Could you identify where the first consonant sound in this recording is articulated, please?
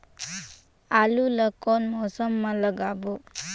alveolar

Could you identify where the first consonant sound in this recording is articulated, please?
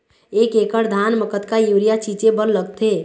velar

